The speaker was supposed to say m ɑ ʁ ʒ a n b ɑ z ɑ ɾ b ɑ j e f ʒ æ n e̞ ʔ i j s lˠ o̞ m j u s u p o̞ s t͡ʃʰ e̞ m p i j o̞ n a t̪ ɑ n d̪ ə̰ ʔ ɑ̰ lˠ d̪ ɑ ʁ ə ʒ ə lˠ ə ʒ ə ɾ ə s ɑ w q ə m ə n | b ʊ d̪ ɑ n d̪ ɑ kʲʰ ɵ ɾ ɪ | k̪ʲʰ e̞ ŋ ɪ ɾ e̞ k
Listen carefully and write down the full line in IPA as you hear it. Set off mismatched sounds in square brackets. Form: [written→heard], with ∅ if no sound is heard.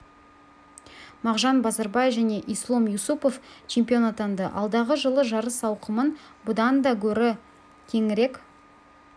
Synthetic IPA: m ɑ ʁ ʒ [a→ɑ] n b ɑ z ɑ ɾ b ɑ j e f ʒ æ n e̞ ʔ i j s lˠ o̞ m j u s u p o̞ [s→f] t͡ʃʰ e̞ m p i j o̞ n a t̪ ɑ n d̪ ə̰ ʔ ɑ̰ lˠ d̪ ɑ ʁ ə ʒ ə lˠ ə ʒ [ə→ɑ] ɾ ə s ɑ w q ə m ə n | b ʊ d̪ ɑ n d̪ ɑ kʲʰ ɵ ɾ ɪ | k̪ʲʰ e̞ ŋ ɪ ɾ e̞ k